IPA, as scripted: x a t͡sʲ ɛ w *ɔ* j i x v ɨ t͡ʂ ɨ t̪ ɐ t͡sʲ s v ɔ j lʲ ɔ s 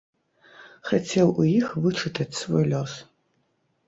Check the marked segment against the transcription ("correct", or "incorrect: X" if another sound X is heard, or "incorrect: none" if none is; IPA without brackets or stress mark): incorrect: u